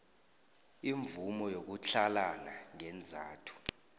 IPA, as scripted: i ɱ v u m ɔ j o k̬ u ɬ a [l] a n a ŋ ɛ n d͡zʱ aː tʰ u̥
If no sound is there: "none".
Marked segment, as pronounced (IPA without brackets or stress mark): l